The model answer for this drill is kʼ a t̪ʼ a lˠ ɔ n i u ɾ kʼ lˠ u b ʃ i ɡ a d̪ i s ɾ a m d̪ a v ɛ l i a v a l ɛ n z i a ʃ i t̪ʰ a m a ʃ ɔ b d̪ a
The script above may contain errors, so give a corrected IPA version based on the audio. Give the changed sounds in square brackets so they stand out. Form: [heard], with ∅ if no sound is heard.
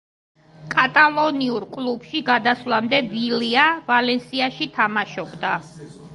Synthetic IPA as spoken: kʼ a t̪ʼ a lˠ ɔ n i u ɾ kʼ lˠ u b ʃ i ɡ a d̪ [a] s [l] a m d̪ [ɛ] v [i] l i a v a l ɛ n [s] i a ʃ i t̪ʰ a m a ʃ ɔ b d̪ a